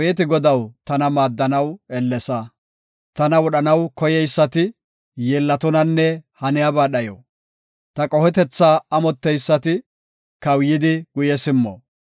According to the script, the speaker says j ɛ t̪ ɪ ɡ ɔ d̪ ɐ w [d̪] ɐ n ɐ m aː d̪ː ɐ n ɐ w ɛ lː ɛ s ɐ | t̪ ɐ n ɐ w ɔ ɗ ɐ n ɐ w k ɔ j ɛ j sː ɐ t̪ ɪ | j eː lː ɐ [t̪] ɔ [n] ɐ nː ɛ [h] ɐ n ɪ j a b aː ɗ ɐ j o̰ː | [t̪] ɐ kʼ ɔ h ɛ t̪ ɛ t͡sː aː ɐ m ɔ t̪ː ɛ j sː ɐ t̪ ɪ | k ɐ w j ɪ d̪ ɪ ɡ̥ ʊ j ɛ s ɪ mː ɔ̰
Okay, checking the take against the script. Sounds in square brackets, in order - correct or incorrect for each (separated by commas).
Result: incorrect, correct, correct, correct, correct